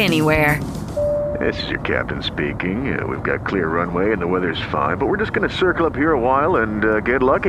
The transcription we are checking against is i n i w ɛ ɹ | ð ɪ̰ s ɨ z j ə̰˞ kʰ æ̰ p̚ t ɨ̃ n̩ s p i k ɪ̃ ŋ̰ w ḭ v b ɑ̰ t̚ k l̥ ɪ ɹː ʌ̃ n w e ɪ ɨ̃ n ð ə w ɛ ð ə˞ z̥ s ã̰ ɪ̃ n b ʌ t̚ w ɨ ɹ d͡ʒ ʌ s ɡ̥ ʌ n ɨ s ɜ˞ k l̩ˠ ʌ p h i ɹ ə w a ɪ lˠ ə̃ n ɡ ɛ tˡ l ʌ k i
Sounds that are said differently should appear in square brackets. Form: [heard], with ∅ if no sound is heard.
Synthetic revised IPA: [ɛ] n i w ɛ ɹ | ð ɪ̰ s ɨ z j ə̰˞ kʰ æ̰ p̚ t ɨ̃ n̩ s p i k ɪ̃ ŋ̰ w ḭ v [ɡ] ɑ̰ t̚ [kʰ] l̥ ɪ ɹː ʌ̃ n w e ɪ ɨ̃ n ð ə w ɛ ð ə˞ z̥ [f] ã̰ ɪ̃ n b ʌ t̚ w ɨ ɹ d͡ʒ ʌ s ɡ̥ ʌ n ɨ s ɜ˞ k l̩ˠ ʌ p h i ɹ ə w a ɪ lˠ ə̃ n ɡ ɛ tˡ l ʌ k i